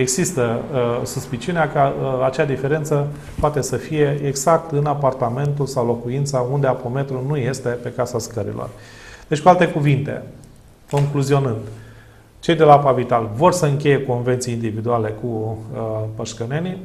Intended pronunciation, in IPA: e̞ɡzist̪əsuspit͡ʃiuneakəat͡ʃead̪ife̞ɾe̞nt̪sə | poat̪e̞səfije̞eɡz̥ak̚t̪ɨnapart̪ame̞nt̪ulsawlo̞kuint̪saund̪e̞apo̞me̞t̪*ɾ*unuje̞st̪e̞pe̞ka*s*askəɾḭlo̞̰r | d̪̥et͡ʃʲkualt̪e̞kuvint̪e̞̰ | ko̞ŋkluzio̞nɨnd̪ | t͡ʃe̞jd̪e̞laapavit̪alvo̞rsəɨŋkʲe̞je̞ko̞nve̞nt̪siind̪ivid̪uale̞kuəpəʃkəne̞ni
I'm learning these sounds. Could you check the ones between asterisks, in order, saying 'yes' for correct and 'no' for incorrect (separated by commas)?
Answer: yes, yes